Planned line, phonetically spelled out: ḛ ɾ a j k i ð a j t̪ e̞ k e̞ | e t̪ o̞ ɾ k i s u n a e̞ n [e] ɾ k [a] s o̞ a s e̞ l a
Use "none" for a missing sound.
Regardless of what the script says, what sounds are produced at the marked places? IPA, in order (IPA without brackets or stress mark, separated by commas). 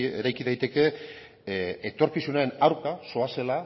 a, a